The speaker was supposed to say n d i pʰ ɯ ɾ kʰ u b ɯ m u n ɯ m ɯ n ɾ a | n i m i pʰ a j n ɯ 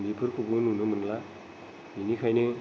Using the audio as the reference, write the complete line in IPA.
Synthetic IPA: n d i pʰ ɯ ɾ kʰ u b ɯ n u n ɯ m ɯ n l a | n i n i kʰ a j n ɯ